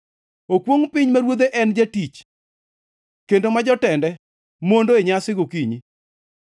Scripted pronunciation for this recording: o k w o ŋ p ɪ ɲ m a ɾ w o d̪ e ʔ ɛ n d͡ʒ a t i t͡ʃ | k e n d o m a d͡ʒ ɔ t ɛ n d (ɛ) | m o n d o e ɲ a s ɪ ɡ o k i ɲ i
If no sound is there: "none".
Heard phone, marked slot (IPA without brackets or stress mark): ɛ